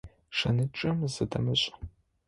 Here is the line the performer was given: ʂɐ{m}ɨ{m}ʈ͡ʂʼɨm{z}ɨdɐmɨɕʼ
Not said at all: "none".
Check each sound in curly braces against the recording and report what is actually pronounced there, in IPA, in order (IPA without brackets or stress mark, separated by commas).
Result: n, none, z